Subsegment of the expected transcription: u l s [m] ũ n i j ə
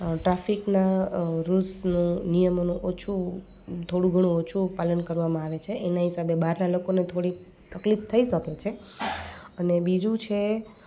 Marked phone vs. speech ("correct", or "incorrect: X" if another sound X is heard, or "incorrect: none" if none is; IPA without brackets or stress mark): incorrect: n